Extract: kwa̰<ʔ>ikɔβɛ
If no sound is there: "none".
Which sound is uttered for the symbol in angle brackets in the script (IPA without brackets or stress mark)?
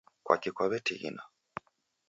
k